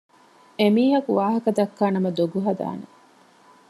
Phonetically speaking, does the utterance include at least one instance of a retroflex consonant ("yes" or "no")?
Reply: no